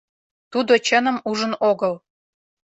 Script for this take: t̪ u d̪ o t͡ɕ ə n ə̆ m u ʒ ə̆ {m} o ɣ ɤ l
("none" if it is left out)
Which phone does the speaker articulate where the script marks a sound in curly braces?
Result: n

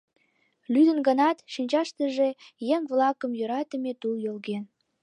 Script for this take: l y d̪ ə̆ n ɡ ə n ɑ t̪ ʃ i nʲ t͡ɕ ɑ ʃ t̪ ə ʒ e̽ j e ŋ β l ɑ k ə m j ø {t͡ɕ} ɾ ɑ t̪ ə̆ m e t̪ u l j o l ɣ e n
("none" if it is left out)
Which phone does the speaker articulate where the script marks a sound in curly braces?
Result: none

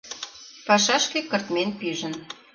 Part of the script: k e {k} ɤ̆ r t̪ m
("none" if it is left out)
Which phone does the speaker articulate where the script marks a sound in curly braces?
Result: k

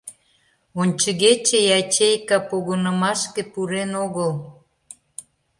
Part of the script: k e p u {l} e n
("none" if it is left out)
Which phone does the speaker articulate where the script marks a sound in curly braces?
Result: ɾ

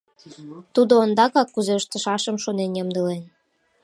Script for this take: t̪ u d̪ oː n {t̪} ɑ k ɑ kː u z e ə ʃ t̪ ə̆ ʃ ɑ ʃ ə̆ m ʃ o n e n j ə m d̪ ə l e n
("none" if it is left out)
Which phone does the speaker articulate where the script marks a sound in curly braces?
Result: d̪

